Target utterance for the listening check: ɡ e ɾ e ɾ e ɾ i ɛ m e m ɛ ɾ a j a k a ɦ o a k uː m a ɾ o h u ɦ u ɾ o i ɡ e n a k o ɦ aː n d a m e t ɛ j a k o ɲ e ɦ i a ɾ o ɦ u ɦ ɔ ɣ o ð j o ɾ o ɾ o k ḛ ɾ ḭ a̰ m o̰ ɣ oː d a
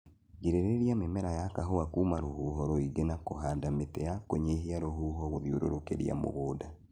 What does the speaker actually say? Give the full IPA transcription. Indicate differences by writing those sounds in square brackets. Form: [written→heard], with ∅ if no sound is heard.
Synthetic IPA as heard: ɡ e ɾ e ɾ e ɾ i [ɛ→a] m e m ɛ ɾ a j a k a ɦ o a k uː m a ɾ o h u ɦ [u→ɔ] ɾ o i ɡ e n a k o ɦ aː n d a m e t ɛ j a k o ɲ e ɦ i a ɾ o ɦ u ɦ ɔ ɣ o ð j o ɾ o ɾ o k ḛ ɾ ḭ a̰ m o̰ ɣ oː d a

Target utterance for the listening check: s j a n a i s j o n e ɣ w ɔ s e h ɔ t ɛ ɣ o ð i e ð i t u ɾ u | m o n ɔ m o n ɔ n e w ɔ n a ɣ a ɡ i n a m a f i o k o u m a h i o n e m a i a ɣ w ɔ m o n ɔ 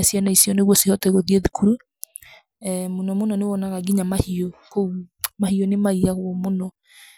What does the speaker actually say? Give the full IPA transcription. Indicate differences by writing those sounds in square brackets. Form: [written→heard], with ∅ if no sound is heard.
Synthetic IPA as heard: s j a n a i s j [o→ɔ] n e ɣ w ɔ s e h ɔ t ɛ ɣ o ð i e ð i [t→k] u ɾ u | m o n ɔ m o n ɔ n e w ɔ n a ɣ a ɡ i [n→ɲ] a m a [f→h] i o k o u m a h i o n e m a i a ɣ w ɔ m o n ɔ

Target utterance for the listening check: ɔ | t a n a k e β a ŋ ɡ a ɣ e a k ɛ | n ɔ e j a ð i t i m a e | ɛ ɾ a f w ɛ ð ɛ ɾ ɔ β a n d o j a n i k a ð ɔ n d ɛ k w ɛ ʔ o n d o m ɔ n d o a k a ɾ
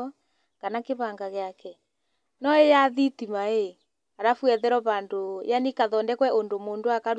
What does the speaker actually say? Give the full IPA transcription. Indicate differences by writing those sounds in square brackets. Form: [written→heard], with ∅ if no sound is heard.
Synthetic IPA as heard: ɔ | [t→k] a n a k e β a ŋ ɡ a ɣ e a k ɛ | n ɔ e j a ð i t i m a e | [ɛ→a] ɾ a f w ɛ ð ɛ ɾ ɔ β a n d o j a n i k a ð ɔ n d ɛ k w ɛ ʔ o n d o m [ɔ→o] n d o a k a ɾ

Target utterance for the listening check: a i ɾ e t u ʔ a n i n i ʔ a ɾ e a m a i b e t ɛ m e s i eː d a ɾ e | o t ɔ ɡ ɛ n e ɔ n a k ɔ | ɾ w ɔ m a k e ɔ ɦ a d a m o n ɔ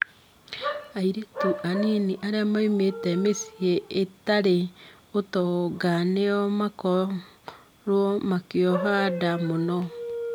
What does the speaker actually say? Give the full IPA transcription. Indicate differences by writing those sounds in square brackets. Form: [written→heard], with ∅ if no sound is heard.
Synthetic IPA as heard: a i ɾ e t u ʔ a n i n i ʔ a ɾ e a m a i [b→m] e t ɛ m e s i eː [d→t] a ɾ e | o t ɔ ɡ [ɛ→a] n e ɔ [n→m] a k ɔ | ɾ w ɔ m a k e ɔ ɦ a d a m o n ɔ

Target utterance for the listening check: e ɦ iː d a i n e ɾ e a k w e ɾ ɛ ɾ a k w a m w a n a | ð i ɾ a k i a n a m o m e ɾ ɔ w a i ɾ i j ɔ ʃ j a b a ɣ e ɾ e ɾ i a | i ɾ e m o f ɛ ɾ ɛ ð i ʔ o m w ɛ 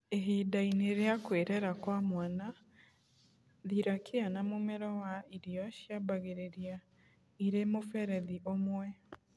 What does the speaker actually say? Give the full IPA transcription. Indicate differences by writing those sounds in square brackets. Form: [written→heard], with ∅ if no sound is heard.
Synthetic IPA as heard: e ɦ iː d a i n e ɾ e a k w e ɾ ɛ ɾ a k w a m w a n a | ð i ɾ a k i a n a m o m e ɾ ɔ w a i ɾ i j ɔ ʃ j a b a ɣ e ɾ e ɾ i a | i ɾ e m o f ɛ ɾ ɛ ð i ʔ o m w ɛ

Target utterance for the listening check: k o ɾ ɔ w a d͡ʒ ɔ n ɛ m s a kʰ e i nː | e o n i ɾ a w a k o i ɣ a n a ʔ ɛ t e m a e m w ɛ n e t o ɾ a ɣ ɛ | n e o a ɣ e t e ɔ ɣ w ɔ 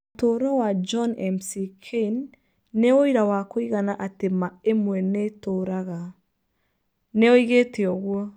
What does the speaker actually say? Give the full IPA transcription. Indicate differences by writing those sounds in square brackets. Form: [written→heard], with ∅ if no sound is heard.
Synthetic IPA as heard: [k→t] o ɾ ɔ w a d͡ʒ ɔ n ɛ m s [a→i] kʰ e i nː | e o [n→∅] i ɾ a w a k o i ɣ a n a ʔ [ɛ→a] t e m a e m w ɛ n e t o ɾ a ɣ [ɛ→a] | n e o [a→i] ɣ e t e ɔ ɣ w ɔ

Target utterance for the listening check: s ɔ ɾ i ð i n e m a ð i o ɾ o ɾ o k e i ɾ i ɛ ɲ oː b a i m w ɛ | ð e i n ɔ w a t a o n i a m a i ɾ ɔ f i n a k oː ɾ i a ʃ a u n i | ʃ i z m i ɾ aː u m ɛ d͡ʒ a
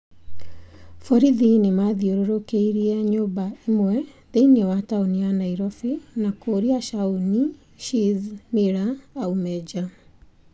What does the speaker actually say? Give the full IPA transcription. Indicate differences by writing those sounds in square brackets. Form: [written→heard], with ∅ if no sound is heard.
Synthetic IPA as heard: [s→f] ɔ ɾ i ð i n e m a ð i o ɾ o ɾ o k e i ɾ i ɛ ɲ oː b a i m w ɛ | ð e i n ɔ w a t a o n i a [m→n] a i ɾ ɔ f i n a k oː ɾ i a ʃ a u n i | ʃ i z m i ɾ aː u m ɛ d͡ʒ a

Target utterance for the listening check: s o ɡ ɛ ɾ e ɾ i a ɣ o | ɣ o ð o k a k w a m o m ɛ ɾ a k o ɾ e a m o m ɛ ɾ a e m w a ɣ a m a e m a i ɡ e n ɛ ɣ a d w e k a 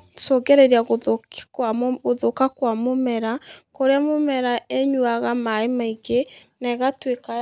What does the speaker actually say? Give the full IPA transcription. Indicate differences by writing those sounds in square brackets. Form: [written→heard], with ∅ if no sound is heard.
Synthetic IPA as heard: s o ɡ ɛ ɾ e ɾ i a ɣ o | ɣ o ð o k a k w a m o m ɛ ɾ a k o ɾ e a m o m ɛ ɾ a e [m→ɲ] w a ɣ a m a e m a i ɡ e n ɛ ɣ a [d→t] w e k a

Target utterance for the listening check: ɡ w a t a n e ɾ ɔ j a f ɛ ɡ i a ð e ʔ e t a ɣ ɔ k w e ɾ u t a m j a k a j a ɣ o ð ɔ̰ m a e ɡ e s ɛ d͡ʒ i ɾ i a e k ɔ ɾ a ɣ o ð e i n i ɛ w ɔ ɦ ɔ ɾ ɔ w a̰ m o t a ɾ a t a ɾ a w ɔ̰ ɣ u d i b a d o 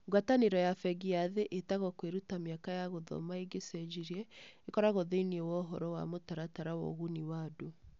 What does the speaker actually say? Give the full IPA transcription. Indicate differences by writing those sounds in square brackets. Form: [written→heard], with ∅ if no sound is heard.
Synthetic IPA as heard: ɡ w a t a n e ɾ ɔ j a f ɛ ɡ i a ð e ʔ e t a ɣ ɔ k w e ɾ u t a m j a k a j a ɣ o ð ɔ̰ m a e ɡ e s ɛ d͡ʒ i ɾ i [a→ɛ] e k ɔ ɾ a ɣ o ð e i n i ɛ w ɔ ɦ ɔ ɾ ɔ w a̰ m o t a ɾ a t a ɾ a w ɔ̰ ɣ u [d→n] i [b→w] a d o

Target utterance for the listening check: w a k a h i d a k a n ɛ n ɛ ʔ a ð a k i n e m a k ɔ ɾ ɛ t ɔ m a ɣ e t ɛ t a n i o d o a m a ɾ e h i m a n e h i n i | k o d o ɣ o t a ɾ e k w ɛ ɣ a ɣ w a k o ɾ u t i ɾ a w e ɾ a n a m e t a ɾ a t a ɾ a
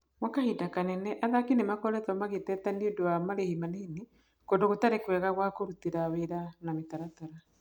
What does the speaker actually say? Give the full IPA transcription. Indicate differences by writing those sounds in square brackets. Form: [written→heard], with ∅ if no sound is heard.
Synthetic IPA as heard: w a k a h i d a k a n ɛ n ɛ ʔ a ð a k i n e m a k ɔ ɾ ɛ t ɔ m a ɣ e t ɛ t a n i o d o a m a ɾ e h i m a n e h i n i | k o d o ɣ o t a ɾ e k w ɛ ɣ a ɣ w a k o ɾ u t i ɾ a w e ɾ a n a m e t a ɾ a t a ɾ a

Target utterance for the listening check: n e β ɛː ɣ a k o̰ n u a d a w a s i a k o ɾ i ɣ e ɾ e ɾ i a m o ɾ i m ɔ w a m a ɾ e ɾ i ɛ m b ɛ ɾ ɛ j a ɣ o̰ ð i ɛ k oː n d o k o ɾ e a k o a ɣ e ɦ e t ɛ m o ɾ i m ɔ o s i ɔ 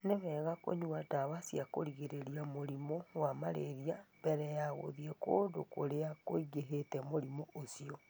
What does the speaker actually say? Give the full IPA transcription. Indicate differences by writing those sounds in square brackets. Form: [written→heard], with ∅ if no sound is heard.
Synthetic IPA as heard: n e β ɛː ɣ a k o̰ [n→ɲ] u a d a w a s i a k o ɾ i ɣ e ɾ e ɾ i a m o ɾ i m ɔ w a m a ɾ e ɾ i [ɛ→a] m b ɛ ɾ ɛ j a ɣ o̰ ð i ɛ k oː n d o k o ɾ e a k o [a→i] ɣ e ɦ e t ɛ m o ɾ i m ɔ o s i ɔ

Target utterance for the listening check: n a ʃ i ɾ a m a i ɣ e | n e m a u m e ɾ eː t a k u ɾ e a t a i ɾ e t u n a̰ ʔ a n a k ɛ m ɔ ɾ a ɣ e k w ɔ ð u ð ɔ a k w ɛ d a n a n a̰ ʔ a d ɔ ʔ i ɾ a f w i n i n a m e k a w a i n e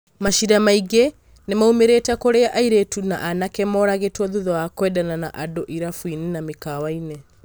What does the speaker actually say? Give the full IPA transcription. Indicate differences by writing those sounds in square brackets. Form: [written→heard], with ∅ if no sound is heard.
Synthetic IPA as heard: [n→m] a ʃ i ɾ a m a i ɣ e | n e m a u m e ɾ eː t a k [u→o] ɾ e a [t→ʔ] a i ɾ e t u n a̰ ʔ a n a k ɛ m ɔ ɾ a ɣ e [k→t] w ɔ ð u ð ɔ a k w ɛ d a n a n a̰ ʔ a d [ɔ→o] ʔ i ɾ a f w i n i n a m e k a w a i n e

